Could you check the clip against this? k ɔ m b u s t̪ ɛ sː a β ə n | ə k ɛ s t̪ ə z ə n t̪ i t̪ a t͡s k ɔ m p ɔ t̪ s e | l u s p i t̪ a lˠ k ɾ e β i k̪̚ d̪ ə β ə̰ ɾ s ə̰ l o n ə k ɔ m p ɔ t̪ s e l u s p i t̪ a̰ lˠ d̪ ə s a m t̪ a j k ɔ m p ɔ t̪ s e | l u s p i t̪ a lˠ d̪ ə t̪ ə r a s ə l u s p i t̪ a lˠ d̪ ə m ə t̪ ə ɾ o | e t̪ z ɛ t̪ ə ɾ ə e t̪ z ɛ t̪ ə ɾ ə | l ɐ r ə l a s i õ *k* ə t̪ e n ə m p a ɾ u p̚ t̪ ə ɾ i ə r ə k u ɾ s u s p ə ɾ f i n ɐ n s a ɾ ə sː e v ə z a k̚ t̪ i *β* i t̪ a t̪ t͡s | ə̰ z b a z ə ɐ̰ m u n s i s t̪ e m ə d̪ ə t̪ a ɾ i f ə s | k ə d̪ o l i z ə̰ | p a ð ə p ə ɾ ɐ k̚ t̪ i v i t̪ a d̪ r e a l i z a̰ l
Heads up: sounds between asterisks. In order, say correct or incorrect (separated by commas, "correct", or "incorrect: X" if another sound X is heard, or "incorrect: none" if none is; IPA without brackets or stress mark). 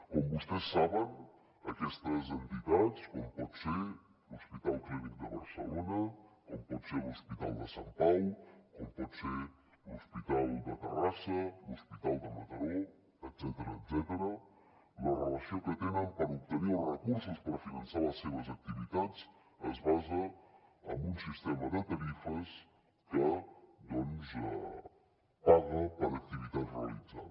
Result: correct, incorrect: v